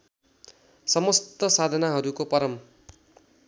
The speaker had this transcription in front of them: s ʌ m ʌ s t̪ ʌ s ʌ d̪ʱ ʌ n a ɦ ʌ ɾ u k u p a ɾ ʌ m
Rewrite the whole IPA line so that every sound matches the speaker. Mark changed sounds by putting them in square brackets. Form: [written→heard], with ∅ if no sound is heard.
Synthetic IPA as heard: s ʌ m ʌ s t̪ ʌ s [ʌ→a] d̪ʱ ʌ n a ɦ ʌ ɾ u k [u→o] p [a→ʌ] ɾ ʌ m